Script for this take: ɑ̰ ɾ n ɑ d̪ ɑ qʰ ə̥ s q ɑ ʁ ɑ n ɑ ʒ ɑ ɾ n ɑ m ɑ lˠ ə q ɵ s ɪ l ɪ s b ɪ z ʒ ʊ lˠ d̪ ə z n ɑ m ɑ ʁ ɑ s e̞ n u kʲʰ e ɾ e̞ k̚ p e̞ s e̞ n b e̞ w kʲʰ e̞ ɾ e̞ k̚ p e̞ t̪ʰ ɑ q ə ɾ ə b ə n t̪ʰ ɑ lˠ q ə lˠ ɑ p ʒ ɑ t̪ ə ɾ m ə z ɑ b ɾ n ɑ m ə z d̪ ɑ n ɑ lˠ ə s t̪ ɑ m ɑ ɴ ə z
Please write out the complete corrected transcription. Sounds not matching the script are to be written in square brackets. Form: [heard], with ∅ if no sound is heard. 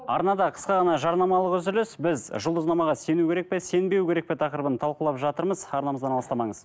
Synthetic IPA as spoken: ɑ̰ ɾ n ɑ d̪ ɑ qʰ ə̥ s q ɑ ʁ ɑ n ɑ ʒ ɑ ɾ n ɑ m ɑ lˠ ə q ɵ [z] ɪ l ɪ s b ɪ z ʒ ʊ lˠ d̪ ə z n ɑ m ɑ ʁ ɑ s e̞ n u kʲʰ e ɾ e̞ k̚ p e̞ s e̞ n b e̞ w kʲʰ e̞ ɾ e̞ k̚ p e̞ t̪ʰ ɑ q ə ɾ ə b ə n t̪ʰ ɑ lˠ q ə lˠ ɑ p ʒ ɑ t̪ ə ɾ m ə z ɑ [∅] ɾ n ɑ m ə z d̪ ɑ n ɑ lˠ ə s t̪ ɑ m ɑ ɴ ə z

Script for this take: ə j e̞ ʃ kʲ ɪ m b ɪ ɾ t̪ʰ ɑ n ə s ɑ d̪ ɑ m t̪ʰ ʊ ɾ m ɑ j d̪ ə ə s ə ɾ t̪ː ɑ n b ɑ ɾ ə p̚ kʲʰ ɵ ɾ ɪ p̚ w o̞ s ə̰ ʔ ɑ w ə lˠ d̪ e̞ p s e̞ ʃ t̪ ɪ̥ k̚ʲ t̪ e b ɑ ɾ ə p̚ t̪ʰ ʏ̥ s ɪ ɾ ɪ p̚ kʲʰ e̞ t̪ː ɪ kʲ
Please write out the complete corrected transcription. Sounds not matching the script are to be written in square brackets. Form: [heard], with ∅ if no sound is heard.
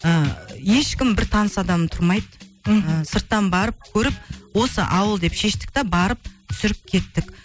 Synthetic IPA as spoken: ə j e̞ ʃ kʲ ɪ m b ɪ ɾ t̪ʰ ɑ n ə s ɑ d̪ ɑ m t̪ʰ ʊ ɾ m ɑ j d̪ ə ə s ə ɾ t̪ː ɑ n b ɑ ɾ ə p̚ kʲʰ ɵ ɾ ɪ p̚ w o̞ s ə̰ ʔ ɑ w ə lˠ d̪ e̞ p [ʃ] e̞ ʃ t̪ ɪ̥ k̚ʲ t̪ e b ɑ ɾ ə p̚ t̪ʰ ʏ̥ s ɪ ɾ ɪ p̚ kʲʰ e̞ t̪ː ɪ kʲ

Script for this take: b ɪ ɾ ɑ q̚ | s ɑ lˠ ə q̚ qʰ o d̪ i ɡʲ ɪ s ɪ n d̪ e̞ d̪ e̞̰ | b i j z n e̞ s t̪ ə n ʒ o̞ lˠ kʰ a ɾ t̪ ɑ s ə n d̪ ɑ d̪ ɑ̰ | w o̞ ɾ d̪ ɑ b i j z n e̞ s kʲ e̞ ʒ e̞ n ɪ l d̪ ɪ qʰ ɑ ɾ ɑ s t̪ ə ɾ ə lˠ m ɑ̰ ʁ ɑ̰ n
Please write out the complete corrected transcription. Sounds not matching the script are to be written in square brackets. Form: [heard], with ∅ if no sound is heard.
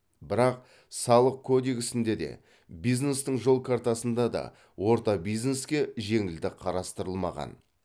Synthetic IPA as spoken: b ɪ ɾ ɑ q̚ | s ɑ lˠ ə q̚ [kʰ] o d̪ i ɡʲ ɪ s ɪ n d̪ e̞ d̪ e̞̰ | b i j z n e̞ s t̪ ə [ɴ] ʒ o̞ lˠ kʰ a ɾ t̪ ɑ s ə n d̪ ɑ d̪ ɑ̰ | w o̞ ɾ [t̪] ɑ b i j z n e̞ s kʲ e̞ ʒ e̞ [ŋ] ɪ l d̪ ɪ qʰ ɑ ɾ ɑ s t̪ ə ɾ ə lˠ m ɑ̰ ʁ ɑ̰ n

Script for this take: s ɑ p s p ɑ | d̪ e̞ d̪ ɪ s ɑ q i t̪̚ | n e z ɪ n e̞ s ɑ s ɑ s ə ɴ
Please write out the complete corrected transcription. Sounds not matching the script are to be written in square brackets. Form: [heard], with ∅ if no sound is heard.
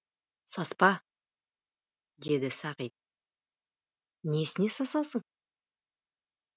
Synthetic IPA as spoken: s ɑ [∅] s p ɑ | d̪ e̞ d̪ ɪ s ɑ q i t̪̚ | n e [s] ɪ n e̞ s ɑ s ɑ s ə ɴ

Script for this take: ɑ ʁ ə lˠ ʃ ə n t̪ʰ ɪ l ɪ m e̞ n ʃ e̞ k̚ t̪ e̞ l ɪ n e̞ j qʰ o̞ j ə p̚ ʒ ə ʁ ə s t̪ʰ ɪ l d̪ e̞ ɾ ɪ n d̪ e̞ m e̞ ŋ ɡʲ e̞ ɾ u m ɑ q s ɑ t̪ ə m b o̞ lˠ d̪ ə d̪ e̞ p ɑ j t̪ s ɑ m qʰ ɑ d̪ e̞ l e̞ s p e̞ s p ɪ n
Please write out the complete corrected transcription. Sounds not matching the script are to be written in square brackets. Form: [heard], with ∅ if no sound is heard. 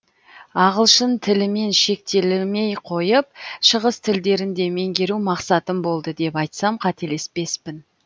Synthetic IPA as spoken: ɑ ʁ ə lˠ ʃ ə n t̪ʰ ɪ l ɪ m e̞ n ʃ e̞ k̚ t̪ e̞ l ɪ [m] e̞ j qʰ o̞ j ə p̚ [ʃ] ə ʁ ə s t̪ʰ ɪ l d̪ e̞ ɾ ɪ n d̪ e̞ m e̞ ŋ ɡʲ e̞ ɾ u m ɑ q s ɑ t̪ ə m b o̞ lˠ d̪ ə d̪ e̞ p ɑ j t̪ s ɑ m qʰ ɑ [t̪] e̞ l e̞ s p e̞ s p ɪ n

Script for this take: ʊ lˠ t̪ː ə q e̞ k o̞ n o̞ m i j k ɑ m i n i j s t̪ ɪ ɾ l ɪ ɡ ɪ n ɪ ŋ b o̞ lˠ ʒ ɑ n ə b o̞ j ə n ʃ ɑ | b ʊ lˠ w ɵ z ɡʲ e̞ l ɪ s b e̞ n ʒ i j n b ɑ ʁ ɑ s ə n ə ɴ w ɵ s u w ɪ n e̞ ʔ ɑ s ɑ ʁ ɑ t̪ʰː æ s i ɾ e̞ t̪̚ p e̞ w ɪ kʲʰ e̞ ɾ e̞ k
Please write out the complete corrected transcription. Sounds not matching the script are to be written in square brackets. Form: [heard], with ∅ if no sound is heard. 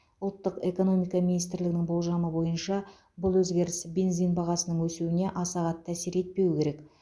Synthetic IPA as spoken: ʊ lˠ t̪ː ə q e̞ k o̞ n o̞ m i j k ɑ m i n i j s t̪ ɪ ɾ l ɪ ɡ ɪ n ɪ ŋ b o̞ lˠ ʒ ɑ [m] ə b o̞ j ə n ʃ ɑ | b ʊ lˠ w ɵ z ɡʲ e̞ [ɾ] ɪ s b e̞ n [z] i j n b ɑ ʁ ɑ s ə n ə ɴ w ɵ s u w ɪ n e̞ ʔ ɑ s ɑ ʁ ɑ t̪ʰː æ s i ɾ e̞ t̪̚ p e̞ w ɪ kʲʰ e̞ ɾ e̞ k

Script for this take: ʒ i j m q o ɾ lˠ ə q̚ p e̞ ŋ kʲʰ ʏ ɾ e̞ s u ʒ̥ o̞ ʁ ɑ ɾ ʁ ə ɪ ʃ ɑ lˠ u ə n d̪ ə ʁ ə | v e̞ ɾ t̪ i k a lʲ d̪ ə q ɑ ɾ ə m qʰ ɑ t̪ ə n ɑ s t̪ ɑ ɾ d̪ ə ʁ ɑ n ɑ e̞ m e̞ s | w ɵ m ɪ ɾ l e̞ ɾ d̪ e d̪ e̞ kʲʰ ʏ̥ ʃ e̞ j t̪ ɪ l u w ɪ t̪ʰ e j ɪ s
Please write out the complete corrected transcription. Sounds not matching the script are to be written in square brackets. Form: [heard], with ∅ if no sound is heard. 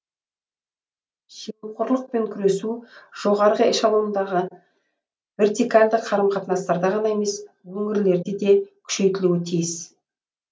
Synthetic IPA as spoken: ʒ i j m q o ɾ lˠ ə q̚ p e̞ ŋ kʲʰ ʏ ɾ e̞ s u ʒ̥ o̞ ʁ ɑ ɾ ʁ ə ɪ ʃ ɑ lˠ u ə n d̪ [ɑ] ʁ ə | v e̞ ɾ t̪ i k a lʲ d̪ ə [qʰ] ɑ ɾ ə m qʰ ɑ t̪ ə n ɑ s t̪ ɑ ɾ d̪ [ɑ] ʁ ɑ n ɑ e̞ m e̞ s | w ɵ [ŋ] ɪ ɾ l e̞ ɾ d̪ e d̪ e̞ kʲʰ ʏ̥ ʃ e̞ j t̪ ɪ l u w ɪ t̪ʰ [i] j ɪ s

